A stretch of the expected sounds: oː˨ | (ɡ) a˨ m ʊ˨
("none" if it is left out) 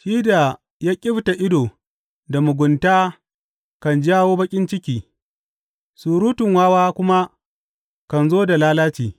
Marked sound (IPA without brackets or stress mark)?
d